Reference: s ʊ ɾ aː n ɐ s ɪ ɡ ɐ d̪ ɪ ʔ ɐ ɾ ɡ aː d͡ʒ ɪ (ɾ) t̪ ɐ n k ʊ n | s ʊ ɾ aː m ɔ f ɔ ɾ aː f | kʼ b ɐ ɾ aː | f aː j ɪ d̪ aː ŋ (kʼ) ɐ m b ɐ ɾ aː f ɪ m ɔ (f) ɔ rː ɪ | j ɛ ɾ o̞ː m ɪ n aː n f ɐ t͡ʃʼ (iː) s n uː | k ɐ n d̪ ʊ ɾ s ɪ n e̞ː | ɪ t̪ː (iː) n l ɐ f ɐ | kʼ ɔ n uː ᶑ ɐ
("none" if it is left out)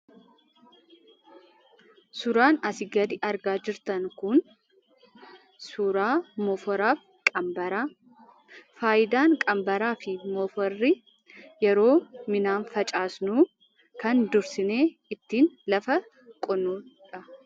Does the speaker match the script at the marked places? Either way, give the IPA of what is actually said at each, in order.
ɾ, kʼ, f, aː, iː

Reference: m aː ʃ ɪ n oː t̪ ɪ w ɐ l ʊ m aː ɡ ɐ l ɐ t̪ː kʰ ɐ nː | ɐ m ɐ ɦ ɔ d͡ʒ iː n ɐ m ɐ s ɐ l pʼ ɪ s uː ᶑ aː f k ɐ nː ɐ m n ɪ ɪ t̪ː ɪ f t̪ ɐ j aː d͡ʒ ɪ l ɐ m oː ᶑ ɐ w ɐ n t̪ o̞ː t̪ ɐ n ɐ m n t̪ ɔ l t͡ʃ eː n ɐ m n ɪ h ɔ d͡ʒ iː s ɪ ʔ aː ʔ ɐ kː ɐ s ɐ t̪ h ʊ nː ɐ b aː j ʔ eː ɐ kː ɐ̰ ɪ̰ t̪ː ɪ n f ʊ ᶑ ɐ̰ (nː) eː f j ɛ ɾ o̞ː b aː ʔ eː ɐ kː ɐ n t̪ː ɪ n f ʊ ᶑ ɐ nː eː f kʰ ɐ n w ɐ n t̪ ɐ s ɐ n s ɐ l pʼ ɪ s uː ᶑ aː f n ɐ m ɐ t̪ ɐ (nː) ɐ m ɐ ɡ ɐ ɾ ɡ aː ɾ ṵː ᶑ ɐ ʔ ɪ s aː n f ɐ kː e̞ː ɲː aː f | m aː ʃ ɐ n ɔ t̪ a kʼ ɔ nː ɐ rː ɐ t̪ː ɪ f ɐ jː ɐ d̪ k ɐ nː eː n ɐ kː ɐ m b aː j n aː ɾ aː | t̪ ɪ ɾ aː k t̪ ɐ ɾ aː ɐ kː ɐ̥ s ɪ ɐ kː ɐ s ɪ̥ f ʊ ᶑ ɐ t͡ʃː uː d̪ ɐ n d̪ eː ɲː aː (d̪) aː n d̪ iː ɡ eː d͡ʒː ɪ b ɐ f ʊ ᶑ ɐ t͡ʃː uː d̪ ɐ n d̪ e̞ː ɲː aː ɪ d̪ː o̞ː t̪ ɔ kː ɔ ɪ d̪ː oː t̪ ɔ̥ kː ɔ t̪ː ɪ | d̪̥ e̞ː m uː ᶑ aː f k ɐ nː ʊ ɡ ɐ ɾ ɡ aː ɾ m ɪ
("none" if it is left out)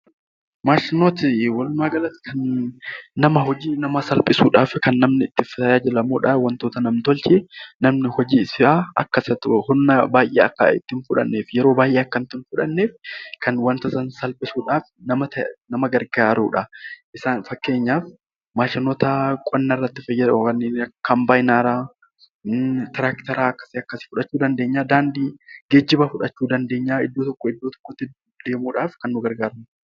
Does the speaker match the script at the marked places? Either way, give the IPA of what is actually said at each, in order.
nː, n, d̪

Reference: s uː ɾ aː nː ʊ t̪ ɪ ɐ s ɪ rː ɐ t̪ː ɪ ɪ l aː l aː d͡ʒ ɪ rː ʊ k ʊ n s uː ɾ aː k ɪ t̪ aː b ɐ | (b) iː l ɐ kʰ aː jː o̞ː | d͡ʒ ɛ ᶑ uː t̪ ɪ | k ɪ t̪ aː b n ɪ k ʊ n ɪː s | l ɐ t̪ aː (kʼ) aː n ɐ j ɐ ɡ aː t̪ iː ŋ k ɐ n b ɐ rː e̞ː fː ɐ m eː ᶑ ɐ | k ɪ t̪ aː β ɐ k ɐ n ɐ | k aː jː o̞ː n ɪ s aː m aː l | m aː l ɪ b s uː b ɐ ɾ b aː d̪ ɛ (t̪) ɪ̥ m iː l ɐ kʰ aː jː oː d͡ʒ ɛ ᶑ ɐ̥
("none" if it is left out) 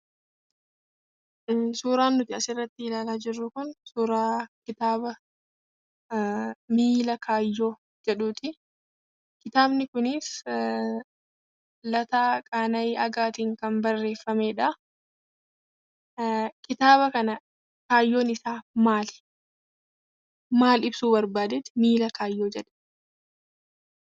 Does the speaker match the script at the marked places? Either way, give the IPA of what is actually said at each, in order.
m, kʼ, t̪

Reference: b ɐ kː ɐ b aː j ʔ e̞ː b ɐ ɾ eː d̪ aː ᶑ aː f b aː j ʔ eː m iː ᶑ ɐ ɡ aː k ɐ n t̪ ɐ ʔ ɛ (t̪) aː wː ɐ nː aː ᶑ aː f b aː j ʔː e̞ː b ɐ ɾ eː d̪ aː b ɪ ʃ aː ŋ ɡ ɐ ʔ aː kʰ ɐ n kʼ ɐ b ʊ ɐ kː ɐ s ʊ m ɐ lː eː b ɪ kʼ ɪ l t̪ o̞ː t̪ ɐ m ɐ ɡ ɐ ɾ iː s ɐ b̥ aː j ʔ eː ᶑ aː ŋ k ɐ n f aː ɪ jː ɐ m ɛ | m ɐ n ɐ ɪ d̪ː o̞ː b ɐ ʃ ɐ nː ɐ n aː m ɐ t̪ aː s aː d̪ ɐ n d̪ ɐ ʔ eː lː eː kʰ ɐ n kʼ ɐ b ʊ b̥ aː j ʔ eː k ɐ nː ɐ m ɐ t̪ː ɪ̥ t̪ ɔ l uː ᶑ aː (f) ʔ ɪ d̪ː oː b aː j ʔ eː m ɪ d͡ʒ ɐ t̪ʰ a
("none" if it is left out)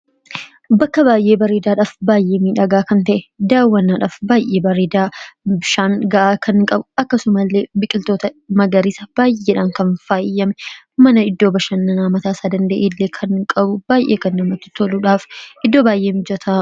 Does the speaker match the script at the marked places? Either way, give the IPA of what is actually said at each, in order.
d̪, f

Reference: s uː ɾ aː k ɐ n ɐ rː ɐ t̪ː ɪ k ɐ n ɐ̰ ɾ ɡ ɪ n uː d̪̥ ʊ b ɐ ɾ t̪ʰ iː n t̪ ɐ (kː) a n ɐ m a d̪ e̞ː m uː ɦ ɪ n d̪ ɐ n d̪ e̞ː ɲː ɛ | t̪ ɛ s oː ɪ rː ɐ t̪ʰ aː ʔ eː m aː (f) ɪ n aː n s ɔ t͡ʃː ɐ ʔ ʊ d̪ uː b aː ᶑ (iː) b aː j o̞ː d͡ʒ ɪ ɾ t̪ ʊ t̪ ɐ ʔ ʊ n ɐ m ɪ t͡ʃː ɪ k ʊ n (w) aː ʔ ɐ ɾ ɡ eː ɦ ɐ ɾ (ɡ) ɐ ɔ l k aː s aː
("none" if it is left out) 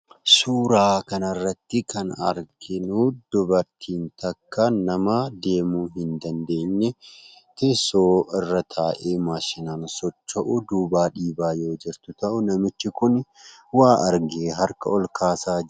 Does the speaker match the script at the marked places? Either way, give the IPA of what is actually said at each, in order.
kː, ʃ, iː, w, k

